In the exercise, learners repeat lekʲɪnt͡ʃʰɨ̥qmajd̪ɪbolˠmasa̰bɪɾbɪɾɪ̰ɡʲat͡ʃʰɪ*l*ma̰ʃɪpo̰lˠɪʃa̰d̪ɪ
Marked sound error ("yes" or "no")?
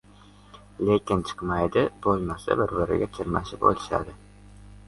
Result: yes